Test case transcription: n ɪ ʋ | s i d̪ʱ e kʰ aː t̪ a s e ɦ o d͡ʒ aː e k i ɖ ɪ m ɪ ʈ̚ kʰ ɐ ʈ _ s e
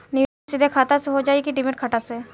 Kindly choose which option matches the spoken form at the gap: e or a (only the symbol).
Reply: a